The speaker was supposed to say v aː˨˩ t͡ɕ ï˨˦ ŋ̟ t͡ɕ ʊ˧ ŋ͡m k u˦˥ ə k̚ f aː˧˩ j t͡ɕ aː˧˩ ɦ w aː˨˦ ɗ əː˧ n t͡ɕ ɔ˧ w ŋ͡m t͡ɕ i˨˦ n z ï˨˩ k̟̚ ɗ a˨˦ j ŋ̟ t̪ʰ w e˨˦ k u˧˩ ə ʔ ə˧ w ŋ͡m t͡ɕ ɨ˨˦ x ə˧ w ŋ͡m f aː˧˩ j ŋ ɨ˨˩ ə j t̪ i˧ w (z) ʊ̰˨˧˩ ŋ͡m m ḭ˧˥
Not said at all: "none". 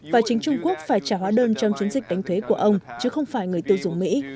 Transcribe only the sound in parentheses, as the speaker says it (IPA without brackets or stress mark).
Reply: z